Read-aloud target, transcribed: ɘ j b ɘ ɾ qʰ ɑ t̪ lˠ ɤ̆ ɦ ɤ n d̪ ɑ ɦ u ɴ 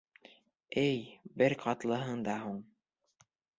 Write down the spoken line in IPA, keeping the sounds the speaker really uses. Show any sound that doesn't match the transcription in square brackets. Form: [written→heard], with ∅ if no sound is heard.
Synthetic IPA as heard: ɘ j b ɘ ɾ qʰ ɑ t̪ lˠ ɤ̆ ɦ ɤ [n→ɴ] d̪ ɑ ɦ u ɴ